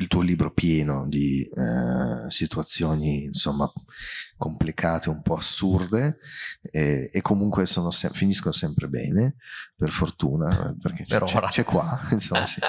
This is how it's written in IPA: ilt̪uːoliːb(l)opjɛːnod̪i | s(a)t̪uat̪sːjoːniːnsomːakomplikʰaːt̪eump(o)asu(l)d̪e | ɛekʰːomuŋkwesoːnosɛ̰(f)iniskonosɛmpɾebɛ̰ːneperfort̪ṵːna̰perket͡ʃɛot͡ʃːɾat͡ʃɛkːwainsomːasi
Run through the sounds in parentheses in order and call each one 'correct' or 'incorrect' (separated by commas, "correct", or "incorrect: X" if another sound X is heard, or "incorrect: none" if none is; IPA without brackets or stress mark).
incorrect: ɾ, incorrect: i, incorrect: ɔ, incorrect: r, correct